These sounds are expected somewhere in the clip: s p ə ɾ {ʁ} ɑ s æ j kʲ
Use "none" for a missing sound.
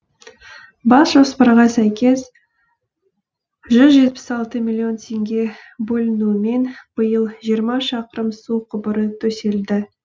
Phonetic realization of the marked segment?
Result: ʁ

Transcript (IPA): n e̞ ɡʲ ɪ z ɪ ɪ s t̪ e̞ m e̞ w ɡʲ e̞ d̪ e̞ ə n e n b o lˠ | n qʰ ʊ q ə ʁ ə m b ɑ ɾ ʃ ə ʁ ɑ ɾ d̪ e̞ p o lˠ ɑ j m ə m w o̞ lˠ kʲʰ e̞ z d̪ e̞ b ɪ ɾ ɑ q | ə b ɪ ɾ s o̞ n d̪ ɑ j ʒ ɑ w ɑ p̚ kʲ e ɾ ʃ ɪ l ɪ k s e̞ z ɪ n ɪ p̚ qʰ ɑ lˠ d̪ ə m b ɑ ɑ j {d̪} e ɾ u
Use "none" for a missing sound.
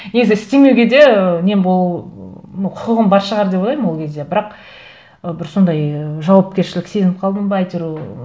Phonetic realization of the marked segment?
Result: t̪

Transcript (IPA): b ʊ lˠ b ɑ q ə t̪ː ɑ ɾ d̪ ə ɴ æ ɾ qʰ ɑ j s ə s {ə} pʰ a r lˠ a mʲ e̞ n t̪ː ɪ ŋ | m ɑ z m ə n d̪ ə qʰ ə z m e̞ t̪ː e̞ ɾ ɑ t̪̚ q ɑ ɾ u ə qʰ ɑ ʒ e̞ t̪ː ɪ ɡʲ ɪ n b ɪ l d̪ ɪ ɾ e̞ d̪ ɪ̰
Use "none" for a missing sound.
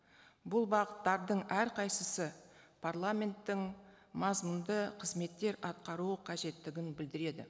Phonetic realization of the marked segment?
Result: ə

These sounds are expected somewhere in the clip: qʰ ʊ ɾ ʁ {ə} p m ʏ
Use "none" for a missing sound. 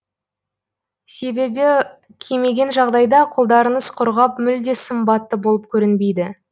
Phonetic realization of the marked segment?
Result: ɑ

